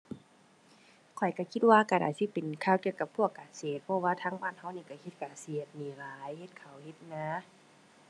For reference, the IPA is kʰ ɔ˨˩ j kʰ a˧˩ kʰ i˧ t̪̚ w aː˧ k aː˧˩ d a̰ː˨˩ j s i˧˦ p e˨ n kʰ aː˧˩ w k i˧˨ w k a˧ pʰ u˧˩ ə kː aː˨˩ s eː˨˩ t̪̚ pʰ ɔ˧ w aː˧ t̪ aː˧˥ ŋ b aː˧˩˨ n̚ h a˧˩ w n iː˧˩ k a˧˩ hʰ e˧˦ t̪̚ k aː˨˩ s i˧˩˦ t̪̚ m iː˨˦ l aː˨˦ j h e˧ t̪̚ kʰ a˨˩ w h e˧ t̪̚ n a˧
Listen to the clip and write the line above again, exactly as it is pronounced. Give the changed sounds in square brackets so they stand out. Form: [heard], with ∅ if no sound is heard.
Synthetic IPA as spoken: kʰ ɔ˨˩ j [k] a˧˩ kʰ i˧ t̪̚ w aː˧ k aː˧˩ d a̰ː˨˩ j s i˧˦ p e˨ n kʰ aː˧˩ w k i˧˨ w k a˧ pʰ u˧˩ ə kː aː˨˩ s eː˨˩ t̪̚ pʰ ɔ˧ w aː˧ [t̪ʰ] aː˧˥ ŋ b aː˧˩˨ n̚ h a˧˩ w n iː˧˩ k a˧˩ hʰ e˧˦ t̪̚ k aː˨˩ s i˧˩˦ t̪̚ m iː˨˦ l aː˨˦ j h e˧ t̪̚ kʰ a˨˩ w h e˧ t̪̚ n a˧